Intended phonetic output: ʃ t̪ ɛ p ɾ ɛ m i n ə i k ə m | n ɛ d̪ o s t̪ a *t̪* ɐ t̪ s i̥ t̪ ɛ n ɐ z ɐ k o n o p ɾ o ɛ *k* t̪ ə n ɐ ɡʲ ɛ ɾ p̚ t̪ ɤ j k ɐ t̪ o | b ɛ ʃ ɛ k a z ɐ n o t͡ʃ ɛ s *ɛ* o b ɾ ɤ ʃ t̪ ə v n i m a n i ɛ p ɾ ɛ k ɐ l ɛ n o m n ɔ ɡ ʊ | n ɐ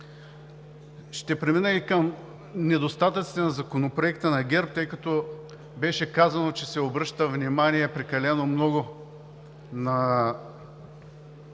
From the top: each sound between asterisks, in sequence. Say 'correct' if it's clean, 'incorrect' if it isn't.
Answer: correct, correct, correct

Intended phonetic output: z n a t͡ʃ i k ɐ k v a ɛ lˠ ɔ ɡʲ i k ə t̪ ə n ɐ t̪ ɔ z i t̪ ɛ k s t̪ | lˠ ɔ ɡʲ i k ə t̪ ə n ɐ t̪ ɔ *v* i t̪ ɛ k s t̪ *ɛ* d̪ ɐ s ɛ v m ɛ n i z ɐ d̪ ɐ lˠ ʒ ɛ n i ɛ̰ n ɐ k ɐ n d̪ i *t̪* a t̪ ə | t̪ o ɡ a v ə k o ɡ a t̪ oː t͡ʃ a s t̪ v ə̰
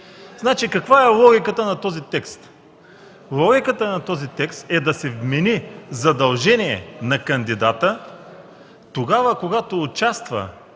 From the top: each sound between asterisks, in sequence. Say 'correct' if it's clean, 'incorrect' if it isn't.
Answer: incorrect, correct, incorrect

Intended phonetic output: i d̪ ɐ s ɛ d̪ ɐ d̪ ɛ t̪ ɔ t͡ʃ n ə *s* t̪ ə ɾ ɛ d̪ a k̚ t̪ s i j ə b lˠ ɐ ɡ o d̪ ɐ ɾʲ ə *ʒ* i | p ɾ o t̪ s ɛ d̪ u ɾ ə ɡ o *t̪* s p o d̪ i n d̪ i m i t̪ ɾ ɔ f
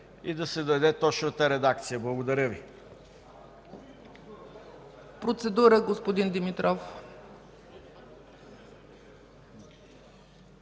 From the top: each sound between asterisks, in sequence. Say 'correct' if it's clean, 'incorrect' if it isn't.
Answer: incorrect, incorrect, incorrect

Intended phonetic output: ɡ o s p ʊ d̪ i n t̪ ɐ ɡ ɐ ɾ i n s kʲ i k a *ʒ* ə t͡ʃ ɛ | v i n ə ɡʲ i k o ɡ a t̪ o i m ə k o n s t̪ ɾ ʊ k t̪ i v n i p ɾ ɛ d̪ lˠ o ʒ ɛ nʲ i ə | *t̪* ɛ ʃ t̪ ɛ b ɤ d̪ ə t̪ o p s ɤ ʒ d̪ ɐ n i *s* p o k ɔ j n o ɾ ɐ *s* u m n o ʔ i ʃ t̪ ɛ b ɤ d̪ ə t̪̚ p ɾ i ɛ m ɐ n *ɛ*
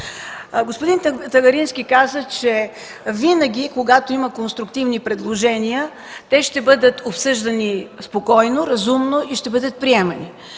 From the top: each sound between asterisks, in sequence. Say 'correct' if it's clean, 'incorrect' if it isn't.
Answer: incorrect, correct, correct, incorrect, incorrect

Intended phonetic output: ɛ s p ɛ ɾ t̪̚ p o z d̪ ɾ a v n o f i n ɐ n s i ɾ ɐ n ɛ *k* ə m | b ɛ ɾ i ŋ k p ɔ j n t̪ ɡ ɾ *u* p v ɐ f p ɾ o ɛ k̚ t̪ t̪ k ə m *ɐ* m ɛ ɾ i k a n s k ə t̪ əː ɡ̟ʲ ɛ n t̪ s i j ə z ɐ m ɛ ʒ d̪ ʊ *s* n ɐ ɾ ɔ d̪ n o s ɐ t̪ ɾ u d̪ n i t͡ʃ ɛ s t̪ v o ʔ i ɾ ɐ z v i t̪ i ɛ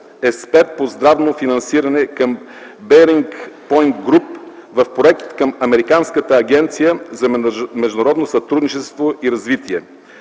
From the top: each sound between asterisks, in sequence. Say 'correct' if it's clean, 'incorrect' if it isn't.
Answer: correct, correct, correct, incorrect

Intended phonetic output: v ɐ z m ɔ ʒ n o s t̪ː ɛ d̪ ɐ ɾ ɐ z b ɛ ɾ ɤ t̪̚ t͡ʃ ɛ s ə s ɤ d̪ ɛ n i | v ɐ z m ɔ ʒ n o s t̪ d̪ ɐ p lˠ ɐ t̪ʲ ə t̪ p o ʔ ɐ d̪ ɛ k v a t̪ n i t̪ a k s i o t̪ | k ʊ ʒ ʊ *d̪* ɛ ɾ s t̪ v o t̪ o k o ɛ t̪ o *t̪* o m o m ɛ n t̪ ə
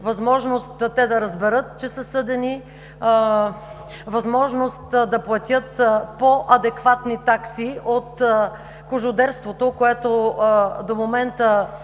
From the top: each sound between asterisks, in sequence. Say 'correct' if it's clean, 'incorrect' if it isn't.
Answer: correct, incorrect

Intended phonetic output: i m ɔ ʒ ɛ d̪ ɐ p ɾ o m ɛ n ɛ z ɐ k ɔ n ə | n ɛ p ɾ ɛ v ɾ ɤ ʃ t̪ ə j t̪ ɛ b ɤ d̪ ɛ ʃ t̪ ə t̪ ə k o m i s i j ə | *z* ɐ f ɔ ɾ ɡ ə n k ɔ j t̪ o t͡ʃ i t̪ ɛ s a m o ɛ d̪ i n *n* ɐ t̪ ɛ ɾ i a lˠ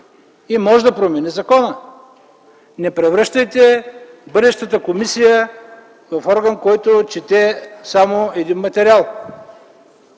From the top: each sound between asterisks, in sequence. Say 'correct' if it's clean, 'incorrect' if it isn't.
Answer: incorrect, incorrect

